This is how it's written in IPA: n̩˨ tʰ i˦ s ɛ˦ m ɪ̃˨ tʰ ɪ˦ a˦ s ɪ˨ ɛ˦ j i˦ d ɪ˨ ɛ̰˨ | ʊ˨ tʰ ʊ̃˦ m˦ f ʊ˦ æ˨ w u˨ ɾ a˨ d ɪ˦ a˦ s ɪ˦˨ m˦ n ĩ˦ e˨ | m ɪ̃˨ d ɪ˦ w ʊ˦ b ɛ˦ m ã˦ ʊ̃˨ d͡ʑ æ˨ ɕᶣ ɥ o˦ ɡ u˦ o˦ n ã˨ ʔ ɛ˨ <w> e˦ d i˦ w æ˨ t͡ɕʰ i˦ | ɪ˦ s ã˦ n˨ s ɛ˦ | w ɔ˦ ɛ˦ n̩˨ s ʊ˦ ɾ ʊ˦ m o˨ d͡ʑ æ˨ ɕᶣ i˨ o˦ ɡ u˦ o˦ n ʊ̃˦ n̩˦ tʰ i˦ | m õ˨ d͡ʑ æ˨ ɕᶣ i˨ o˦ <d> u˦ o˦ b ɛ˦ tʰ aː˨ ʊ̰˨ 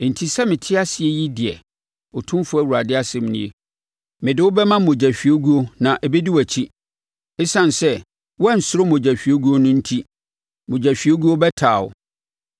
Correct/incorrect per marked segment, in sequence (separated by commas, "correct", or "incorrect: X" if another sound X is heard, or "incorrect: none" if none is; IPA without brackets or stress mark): incorrect: b, incorrect: ɡ